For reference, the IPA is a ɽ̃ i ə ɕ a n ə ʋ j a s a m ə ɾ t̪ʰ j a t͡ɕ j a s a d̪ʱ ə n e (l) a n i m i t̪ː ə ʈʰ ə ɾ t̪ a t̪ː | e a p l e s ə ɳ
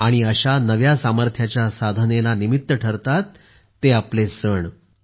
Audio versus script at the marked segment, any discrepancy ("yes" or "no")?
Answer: no